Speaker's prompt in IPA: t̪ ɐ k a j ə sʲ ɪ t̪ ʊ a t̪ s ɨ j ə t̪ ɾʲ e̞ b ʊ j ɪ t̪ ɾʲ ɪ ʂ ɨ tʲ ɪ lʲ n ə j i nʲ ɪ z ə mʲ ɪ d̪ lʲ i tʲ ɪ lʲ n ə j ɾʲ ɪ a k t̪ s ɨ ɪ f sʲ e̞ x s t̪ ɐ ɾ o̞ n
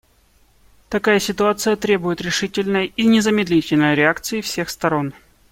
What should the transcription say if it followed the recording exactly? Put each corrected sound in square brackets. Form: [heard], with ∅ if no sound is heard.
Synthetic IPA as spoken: t̪ ɐ k a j ə sʲ ɪ t̪ ʊ a t̪ s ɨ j ə t̪ ɾʲ e̞ b ʊ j ɪ t̪ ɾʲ ɪ ʂ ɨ tʲ ɪ lʲ n ə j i nʲ ɪ z ə mʲ ɪ d̪ lʲ i tʲ ɪ lʲ n ə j ɾʲ ɪ a k t̪ s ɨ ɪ f sʲ e̞ x s t̪ ɐ ɾ o̞ n